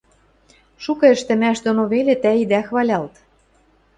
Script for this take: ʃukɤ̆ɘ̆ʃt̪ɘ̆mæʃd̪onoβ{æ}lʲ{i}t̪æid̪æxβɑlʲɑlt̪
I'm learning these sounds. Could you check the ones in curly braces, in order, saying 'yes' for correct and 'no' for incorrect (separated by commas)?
no, no